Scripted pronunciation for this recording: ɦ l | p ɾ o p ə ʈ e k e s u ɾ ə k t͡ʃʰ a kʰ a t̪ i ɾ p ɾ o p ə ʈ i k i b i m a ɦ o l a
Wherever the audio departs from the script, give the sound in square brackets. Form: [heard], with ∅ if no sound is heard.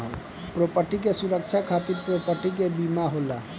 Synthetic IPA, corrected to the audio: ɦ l | p ɾ o p ə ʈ [i] k e s u ɾ ə k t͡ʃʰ a kʰ a t̪ i ɾ p ɾ o p ə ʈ i k [e] b i m a ɦ o l a